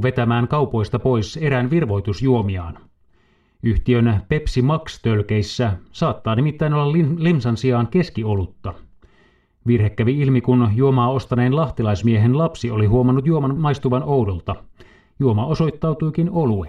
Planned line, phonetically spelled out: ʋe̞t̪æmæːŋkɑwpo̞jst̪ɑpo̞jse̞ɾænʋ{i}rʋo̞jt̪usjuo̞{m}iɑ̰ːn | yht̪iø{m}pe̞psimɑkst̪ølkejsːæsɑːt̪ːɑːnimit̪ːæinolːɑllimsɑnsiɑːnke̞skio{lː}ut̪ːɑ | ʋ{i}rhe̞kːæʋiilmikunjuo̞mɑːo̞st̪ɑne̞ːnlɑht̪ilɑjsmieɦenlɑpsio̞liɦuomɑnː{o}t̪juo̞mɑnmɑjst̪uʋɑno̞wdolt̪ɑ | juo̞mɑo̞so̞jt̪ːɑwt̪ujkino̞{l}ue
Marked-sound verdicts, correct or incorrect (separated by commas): correct, correct, incorrect, incorrect, correct, incorrect, correct